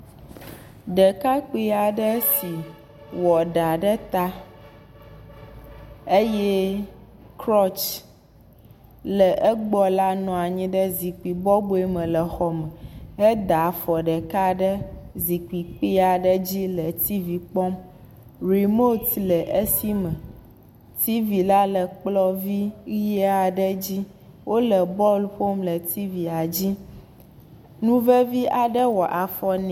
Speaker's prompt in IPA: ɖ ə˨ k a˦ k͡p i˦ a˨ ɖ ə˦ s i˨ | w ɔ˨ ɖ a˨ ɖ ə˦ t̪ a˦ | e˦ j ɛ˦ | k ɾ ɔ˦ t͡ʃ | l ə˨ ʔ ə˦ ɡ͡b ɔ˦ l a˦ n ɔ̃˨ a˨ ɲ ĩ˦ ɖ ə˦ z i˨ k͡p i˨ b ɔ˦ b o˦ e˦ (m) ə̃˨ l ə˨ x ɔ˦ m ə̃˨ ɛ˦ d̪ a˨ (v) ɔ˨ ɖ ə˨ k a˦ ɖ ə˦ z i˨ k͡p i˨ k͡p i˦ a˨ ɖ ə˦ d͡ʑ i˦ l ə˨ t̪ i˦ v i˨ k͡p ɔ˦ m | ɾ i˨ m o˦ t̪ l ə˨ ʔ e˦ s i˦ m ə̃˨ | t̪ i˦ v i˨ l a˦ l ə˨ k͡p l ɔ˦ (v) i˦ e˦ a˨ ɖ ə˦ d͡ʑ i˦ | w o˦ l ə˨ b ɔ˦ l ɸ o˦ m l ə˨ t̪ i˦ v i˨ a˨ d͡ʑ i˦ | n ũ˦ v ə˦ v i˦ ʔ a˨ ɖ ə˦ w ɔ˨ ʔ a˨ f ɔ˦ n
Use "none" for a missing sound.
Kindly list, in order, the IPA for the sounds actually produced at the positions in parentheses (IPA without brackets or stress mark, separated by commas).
m, f, v